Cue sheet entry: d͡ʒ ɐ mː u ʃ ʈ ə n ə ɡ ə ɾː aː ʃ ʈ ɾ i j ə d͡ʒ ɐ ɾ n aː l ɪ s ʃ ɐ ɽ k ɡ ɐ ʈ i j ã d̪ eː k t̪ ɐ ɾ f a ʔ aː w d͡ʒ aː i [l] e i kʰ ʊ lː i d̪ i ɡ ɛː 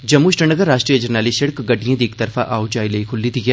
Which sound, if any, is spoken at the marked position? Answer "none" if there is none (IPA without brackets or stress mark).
l